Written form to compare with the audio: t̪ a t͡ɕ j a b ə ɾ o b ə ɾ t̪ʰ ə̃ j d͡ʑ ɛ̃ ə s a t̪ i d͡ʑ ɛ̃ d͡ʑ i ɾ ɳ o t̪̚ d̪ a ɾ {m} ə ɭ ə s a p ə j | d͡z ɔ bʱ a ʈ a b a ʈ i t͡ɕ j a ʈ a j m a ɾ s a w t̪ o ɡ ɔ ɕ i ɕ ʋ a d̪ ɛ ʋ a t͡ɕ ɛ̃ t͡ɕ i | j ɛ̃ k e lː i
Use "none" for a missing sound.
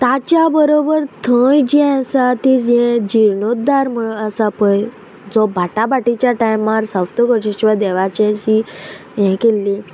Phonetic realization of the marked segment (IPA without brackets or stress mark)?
m